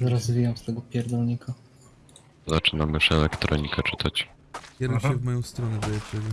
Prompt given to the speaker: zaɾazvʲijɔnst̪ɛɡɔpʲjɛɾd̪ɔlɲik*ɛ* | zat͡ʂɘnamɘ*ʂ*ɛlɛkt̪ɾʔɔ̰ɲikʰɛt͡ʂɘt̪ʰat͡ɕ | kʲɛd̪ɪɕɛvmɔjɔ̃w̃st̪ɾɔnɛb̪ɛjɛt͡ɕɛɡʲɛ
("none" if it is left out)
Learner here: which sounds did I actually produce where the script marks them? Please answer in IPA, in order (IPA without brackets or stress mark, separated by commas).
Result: a, ʂ